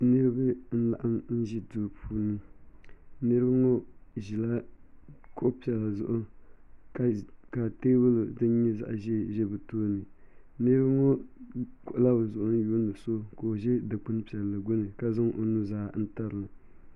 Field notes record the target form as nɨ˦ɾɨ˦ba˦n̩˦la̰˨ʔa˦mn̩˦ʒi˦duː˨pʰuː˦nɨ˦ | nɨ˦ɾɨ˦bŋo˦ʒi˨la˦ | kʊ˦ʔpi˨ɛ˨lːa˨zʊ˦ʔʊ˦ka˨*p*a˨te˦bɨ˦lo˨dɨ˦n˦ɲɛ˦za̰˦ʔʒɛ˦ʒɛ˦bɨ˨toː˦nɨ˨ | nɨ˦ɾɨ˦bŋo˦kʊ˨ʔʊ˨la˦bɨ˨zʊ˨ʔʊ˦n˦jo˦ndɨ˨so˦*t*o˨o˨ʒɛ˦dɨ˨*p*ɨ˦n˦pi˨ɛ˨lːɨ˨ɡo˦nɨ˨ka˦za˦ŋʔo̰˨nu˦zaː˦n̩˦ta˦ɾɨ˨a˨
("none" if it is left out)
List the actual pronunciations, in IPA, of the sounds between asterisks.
k, k, k͡p

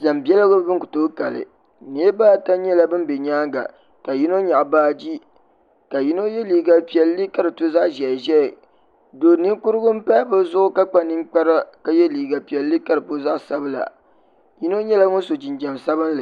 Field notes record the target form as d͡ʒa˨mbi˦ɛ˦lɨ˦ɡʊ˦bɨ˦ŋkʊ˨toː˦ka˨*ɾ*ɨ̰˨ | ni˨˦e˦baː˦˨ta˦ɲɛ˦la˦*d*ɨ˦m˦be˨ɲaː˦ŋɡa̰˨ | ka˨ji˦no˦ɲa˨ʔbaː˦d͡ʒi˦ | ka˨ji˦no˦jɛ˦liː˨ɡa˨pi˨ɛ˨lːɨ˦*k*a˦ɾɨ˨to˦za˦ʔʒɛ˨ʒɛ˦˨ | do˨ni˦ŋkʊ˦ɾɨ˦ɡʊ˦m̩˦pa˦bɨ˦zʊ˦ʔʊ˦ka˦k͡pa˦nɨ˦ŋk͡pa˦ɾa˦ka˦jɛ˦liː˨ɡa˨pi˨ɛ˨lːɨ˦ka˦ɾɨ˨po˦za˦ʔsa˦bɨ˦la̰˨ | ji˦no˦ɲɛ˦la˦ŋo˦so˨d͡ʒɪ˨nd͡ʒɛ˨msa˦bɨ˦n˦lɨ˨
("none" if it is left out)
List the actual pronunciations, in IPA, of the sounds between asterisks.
l, b, k

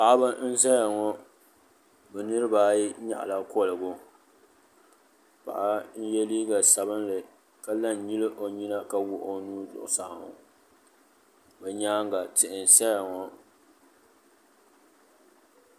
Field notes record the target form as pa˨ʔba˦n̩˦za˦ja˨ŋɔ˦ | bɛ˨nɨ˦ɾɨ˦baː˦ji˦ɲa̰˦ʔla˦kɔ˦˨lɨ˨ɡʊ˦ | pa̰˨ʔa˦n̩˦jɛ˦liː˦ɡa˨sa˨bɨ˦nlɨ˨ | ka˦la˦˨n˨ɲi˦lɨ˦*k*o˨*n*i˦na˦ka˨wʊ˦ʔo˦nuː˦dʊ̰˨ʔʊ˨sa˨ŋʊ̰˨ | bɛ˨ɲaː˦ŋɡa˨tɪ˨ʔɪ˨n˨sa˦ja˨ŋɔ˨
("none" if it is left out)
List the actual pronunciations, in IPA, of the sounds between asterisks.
ʔ, ɲ

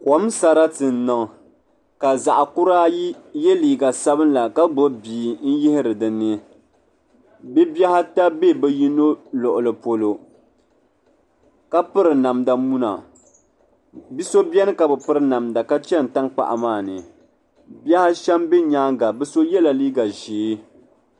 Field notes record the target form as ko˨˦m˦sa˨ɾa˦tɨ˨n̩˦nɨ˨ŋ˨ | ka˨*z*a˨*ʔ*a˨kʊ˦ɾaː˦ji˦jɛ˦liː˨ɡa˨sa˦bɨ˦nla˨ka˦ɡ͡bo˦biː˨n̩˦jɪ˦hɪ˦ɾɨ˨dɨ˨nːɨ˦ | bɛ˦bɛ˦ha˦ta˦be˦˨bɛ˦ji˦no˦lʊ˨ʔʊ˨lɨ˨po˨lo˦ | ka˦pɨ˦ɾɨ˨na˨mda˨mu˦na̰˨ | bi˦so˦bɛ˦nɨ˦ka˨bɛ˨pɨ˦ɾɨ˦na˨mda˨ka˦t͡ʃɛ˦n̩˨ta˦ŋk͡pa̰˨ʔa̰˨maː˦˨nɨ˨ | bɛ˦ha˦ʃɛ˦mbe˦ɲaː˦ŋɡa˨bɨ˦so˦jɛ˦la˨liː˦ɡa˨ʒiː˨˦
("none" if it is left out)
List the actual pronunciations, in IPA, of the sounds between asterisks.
z, ʔ

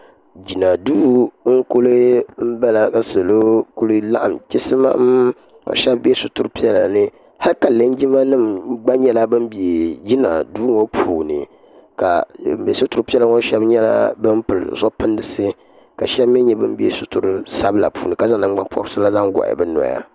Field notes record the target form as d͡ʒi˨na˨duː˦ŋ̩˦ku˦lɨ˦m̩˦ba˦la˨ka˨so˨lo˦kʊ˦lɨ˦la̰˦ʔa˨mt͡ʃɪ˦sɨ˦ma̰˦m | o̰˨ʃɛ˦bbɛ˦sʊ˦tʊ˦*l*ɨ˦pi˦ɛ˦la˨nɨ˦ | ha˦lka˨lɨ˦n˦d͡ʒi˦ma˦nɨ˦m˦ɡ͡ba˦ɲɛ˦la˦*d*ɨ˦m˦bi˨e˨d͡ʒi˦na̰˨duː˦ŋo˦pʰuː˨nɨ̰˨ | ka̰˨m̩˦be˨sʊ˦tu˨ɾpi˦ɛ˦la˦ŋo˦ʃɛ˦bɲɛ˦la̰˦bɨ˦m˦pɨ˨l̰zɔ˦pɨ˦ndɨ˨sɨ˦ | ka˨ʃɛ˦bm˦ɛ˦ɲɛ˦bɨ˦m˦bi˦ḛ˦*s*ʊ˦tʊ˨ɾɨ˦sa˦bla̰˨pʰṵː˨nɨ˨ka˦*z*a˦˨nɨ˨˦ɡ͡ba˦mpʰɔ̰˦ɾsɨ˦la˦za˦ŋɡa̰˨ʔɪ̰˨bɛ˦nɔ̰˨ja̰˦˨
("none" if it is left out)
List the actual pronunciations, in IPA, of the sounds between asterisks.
ɾ, b, s, z

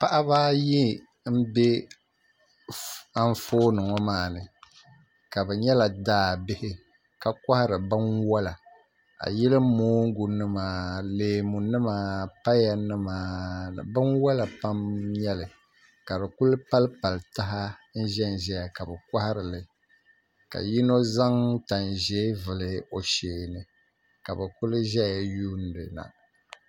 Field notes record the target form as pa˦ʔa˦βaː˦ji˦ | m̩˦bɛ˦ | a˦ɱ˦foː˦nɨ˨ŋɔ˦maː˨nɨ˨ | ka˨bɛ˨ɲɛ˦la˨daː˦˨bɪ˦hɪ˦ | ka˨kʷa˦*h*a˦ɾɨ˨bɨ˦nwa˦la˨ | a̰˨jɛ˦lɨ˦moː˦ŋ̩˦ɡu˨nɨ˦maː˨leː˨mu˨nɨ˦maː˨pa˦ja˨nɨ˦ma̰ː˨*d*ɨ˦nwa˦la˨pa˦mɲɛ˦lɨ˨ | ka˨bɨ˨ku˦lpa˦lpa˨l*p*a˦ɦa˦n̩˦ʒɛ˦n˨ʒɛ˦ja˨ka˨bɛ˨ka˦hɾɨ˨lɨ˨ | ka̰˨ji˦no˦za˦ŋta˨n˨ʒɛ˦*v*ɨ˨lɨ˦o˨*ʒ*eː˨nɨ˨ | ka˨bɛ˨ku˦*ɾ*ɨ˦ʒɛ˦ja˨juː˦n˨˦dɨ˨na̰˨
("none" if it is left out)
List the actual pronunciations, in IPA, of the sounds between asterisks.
h, b, t, v, ʃ, l

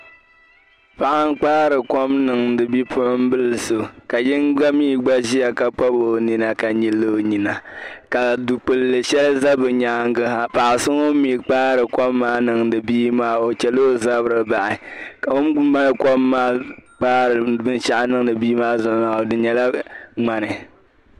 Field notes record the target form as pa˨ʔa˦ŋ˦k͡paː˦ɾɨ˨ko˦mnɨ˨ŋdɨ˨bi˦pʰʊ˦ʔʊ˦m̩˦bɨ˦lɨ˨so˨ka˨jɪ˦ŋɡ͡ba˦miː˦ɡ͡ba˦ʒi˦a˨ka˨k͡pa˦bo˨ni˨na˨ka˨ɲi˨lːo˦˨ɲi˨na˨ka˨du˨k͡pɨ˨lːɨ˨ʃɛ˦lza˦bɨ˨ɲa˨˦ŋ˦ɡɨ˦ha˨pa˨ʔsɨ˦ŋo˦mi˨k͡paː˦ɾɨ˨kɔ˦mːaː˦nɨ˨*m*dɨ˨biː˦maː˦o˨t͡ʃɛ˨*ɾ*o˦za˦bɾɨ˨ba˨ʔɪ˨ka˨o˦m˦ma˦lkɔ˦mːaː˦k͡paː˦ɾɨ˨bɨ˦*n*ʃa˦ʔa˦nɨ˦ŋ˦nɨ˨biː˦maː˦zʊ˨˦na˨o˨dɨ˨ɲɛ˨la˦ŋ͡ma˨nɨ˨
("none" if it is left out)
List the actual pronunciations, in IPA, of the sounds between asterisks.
ŋ, l, n

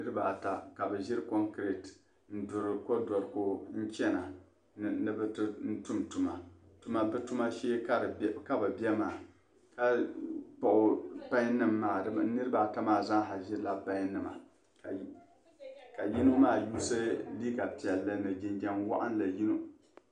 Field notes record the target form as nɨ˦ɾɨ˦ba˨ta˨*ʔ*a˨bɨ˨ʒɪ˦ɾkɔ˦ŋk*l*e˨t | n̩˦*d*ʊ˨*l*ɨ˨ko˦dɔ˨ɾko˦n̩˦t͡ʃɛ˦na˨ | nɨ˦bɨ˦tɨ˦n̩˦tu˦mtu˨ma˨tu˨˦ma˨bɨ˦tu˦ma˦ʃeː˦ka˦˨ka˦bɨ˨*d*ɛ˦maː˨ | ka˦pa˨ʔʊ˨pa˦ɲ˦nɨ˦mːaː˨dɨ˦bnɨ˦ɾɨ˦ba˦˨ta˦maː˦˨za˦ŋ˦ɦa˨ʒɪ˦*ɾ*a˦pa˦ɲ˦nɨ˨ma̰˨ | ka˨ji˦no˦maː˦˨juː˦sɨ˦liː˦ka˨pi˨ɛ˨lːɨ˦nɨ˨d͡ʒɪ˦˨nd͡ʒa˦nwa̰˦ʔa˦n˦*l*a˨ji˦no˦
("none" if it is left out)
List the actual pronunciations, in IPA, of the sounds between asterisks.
k, ɾ, d, ɾ, b, l, l

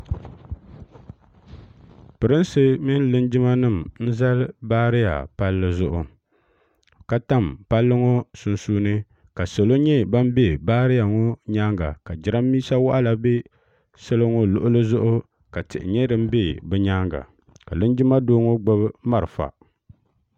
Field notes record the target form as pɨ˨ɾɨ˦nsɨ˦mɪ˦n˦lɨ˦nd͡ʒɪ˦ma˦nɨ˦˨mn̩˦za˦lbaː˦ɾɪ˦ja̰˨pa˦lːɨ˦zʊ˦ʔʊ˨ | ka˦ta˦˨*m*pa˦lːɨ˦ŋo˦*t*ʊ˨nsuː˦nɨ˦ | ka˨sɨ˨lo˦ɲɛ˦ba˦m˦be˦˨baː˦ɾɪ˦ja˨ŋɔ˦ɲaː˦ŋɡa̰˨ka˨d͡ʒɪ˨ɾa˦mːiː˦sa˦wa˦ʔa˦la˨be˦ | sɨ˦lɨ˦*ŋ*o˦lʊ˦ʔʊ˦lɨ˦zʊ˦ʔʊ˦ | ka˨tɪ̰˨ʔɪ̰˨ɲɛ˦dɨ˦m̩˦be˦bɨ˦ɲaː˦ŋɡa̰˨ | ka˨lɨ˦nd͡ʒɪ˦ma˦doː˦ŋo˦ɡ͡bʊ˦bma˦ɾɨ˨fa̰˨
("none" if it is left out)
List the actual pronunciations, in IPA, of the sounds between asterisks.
m, s, ŋ

